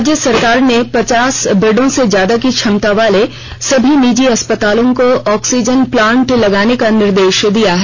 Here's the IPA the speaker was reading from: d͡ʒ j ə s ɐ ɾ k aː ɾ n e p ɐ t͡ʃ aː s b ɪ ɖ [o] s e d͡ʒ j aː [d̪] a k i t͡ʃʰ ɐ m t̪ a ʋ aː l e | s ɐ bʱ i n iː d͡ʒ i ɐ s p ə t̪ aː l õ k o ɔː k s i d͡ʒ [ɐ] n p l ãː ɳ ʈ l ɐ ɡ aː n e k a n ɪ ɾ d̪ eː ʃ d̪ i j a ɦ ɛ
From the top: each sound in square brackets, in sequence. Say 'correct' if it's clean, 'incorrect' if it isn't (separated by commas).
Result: incorrect, correct, incorrect